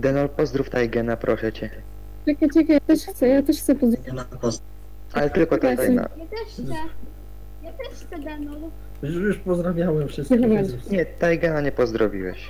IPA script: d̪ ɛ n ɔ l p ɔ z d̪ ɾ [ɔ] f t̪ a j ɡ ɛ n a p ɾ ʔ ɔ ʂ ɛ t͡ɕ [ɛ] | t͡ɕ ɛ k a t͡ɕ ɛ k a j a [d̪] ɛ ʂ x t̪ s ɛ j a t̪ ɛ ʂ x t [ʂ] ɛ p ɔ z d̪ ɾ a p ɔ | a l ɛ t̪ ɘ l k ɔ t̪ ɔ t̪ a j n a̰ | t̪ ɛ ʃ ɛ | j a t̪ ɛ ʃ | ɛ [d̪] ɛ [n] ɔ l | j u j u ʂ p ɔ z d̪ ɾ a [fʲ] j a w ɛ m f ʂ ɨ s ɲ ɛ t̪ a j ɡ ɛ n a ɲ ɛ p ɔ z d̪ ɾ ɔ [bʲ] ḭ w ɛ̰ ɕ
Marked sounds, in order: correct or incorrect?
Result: incorrect, correct, incorrect, incorrect, correct, correct, incorrect, incorrect

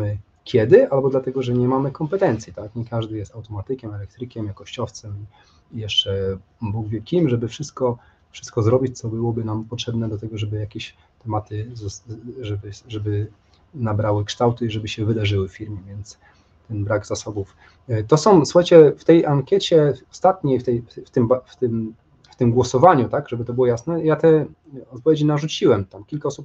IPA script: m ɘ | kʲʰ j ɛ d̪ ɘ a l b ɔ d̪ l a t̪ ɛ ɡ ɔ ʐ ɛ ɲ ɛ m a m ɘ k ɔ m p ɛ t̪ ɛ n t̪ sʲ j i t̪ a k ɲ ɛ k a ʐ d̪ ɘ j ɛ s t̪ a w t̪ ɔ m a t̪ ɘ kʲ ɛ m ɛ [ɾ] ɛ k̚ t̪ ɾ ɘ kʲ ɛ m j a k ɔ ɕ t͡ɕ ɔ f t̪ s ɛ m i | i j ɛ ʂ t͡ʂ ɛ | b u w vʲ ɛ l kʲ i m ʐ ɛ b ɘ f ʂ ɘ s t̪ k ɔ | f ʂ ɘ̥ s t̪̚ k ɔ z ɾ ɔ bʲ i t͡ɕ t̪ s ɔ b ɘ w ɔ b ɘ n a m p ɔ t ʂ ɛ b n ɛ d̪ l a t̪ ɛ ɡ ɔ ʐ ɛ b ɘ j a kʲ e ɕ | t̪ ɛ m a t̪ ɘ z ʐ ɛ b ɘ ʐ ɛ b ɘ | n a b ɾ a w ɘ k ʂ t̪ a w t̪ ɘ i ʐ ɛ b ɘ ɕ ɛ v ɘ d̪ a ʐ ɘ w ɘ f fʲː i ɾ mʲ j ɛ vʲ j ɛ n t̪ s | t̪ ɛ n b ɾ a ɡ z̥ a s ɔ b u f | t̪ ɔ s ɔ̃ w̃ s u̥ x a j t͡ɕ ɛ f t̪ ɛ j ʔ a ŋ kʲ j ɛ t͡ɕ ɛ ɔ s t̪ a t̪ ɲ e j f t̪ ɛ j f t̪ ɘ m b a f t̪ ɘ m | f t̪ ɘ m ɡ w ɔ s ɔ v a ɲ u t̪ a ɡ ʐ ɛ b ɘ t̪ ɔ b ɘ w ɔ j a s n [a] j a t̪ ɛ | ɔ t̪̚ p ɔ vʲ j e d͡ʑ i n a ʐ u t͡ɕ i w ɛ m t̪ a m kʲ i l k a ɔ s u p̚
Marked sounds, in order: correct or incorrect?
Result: incorrect, incorrect

